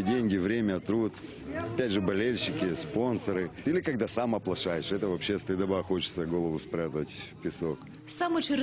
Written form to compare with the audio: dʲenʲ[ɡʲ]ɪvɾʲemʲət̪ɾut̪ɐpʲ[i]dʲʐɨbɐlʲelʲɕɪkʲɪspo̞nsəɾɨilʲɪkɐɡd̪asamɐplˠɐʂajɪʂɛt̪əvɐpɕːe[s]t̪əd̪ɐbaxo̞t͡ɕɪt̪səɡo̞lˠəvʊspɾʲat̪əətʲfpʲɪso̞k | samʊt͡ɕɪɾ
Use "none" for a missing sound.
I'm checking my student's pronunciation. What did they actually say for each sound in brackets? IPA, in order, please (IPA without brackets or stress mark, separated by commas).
ɡʲ, æ, s